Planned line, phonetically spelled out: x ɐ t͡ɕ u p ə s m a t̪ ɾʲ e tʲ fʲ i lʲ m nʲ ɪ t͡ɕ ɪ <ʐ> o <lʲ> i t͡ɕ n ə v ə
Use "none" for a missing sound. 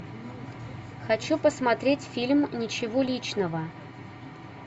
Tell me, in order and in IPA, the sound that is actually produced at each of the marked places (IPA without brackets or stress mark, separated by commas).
v, lʲ